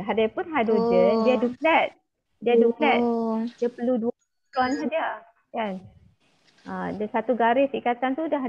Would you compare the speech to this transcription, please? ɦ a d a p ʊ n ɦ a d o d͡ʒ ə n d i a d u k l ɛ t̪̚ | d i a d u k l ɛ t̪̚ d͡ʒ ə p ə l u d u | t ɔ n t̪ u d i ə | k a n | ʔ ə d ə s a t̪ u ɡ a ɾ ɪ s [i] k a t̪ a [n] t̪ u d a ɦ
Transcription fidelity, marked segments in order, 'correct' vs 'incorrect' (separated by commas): correct, correct